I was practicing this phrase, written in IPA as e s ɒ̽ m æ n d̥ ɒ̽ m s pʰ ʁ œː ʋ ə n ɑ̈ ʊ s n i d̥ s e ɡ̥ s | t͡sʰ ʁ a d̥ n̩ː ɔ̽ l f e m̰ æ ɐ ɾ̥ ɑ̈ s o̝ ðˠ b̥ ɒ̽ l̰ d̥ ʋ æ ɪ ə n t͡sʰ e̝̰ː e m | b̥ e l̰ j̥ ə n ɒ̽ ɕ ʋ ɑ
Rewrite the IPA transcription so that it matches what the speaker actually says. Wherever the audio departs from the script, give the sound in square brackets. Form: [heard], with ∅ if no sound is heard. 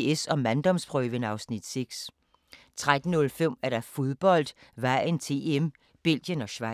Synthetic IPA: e s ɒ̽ m æ n d̥ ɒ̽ m s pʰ ʁ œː ʋ ə n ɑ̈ ʊ s n i d̥ s e ɡ̥ s | t͡sʰ ʁ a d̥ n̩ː ɔ̽ l f e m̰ æ ɐ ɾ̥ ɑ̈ [f] o̝ ðˠ b̥ ɒ̽ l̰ d̥ ʋ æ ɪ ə n t͡sʰ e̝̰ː e m | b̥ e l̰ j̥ ə n ɒ̽ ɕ ʋ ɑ